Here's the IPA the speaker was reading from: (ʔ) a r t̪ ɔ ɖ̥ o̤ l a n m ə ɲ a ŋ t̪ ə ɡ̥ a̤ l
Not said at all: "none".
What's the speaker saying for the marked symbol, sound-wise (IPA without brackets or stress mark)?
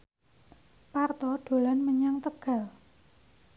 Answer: p